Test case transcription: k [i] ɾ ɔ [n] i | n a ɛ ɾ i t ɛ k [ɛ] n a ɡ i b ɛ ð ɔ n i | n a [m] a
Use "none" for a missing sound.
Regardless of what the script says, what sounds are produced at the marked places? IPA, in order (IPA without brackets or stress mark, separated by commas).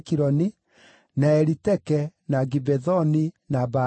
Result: i, n, ɛ, b